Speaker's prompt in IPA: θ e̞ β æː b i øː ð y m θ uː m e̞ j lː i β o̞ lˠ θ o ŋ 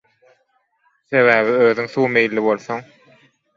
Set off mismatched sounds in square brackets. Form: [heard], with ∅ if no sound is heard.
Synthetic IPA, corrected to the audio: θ e̞ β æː [β] i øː ð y [ŋ] θ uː m e̞ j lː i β o̞ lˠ θ o ŋ